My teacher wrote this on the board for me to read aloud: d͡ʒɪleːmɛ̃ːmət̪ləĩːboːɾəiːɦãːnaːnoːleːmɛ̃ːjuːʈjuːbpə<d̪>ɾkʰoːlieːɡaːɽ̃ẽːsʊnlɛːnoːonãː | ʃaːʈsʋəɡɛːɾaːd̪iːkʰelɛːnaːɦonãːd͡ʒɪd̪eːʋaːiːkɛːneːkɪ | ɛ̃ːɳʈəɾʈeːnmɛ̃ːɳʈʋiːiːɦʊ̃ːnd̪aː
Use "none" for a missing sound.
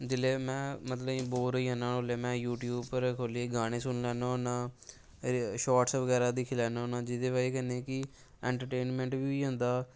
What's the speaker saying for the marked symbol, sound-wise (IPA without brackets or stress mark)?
none